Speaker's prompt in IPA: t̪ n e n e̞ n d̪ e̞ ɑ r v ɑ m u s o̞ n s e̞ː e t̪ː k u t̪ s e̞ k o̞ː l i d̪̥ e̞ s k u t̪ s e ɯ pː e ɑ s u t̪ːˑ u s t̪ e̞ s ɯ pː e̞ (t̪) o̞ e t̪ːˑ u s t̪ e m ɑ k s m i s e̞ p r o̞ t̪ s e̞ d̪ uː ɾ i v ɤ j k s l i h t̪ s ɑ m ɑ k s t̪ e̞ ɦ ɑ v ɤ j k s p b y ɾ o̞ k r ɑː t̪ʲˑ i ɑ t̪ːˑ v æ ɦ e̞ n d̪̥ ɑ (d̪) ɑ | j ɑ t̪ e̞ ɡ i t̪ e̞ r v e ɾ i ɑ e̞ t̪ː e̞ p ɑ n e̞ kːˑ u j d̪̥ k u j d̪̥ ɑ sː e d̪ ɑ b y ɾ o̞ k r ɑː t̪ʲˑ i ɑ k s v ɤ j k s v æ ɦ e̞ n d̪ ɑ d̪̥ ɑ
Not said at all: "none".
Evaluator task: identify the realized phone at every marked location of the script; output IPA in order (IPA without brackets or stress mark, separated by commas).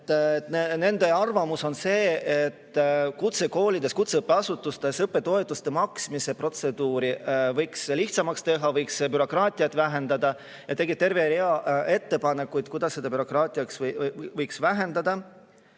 t̪, d̪